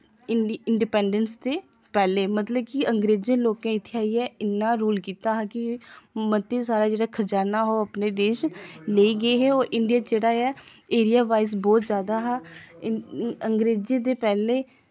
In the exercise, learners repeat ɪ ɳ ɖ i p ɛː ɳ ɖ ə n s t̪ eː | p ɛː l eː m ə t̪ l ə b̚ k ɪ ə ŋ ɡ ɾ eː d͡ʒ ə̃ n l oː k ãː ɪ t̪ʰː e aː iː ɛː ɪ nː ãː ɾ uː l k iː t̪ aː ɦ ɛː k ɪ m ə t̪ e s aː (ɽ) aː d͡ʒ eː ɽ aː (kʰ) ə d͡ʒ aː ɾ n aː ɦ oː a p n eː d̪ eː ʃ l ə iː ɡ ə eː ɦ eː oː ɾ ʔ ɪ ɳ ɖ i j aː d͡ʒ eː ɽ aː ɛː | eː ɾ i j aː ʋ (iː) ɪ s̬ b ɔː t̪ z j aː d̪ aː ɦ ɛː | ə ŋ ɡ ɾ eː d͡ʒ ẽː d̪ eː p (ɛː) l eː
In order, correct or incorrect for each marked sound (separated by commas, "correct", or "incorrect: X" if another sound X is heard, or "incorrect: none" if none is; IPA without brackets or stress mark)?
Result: incorrect: ɾ, correct, incorrect: aː, correct